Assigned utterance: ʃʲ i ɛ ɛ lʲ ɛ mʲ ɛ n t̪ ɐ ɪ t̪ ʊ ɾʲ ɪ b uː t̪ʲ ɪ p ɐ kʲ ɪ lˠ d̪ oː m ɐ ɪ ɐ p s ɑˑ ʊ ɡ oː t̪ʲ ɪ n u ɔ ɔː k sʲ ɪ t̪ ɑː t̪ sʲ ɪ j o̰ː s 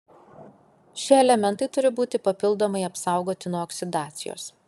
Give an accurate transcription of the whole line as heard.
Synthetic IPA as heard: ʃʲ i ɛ ɛ lʲ ɛ mʲ ɛ n t̪ ɐ ɪ t̪ ʊ ɾʲ ɪ b uː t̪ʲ ɪ p ɐ pʲ ɪ lˠ d̪ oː m ɐ ɪ ɐ p s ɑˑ ʊ ɡ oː t̪ʲ ɪ n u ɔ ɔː k sʲ ɪ d̪ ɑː t̪ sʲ ɪ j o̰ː s